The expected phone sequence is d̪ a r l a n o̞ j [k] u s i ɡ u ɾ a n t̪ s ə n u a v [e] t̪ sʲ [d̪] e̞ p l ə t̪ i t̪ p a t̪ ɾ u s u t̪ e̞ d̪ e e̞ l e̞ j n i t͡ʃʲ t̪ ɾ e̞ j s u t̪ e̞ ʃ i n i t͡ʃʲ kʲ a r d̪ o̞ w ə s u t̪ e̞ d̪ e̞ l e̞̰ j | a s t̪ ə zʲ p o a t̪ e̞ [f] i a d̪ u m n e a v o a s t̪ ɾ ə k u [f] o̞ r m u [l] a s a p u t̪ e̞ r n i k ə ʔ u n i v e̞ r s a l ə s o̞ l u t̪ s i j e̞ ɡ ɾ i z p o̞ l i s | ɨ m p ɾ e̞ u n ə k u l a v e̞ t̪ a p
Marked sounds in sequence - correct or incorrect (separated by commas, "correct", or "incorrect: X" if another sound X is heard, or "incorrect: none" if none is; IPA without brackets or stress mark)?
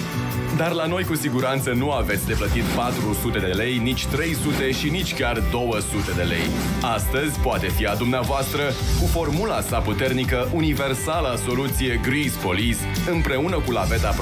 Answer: correct, correct, correct, correct, correct, correct